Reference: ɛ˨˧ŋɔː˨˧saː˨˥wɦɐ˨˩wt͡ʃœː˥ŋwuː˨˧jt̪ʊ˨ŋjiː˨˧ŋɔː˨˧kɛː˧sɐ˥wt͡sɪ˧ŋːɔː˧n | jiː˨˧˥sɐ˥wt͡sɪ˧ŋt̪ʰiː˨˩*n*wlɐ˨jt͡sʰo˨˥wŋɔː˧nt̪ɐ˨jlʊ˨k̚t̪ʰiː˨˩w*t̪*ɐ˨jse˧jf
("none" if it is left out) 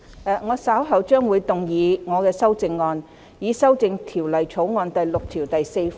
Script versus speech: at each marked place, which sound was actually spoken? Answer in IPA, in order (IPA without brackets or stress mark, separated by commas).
none, t̪